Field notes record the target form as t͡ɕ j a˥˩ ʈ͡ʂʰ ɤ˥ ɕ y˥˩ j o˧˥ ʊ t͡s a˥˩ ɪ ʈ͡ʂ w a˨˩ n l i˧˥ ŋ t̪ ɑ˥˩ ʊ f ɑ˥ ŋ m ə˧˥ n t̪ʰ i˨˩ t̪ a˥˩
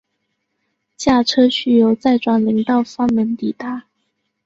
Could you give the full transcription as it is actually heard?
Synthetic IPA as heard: t͡ɕ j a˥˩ ʈ͡ʂʰ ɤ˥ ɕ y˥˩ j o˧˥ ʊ t͡s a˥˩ ɪ ʈ͡ʂ w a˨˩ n l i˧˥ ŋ t̪ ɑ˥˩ ʊ f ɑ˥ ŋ m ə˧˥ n t̪ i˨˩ t̪ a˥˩